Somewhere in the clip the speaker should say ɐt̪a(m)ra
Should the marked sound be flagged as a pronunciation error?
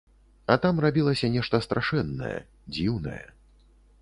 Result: no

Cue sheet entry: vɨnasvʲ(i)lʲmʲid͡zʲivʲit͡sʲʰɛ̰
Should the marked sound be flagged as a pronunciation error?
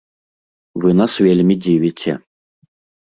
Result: yes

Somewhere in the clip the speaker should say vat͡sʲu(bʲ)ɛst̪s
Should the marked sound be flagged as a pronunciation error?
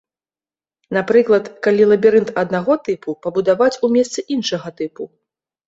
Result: yes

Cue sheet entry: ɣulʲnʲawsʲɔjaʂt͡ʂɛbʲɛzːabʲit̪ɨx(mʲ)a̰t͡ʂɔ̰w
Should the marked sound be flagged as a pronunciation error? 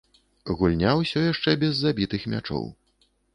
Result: no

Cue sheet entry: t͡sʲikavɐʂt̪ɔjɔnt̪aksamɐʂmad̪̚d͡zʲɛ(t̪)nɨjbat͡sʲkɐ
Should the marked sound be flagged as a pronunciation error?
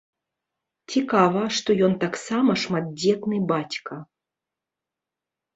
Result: no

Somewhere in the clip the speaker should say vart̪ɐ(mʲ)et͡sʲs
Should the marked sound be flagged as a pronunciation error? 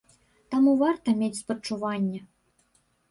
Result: no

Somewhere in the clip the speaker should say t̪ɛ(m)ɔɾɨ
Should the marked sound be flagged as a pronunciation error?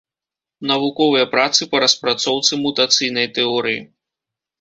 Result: yes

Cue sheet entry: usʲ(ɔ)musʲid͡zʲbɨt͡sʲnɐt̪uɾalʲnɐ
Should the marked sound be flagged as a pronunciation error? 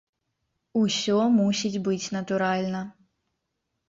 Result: no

